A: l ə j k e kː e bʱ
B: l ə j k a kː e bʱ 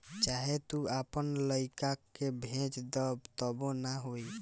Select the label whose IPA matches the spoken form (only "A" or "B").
B